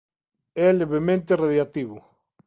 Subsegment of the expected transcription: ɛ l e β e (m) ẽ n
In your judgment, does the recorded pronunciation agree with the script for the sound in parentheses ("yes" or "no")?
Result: yes